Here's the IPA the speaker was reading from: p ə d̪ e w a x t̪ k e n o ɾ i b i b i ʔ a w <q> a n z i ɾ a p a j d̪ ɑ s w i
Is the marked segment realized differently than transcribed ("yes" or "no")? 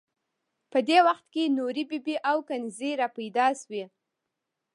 yes